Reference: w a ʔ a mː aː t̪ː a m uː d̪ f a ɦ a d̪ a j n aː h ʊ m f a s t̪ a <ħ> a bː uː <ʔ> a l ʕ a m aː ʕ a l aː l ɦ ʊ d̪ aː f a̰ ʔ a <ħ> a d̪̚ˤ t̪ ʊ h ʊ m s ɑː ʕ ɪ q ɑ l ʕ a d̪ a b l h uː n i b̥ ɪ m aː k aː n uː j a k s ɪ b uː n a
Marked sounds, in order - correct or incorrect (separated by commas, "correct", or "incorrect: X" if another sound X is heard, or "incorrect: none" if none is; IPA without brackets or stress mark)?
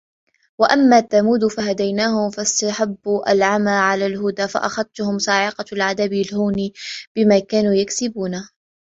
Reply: correct, correct, incorrect: x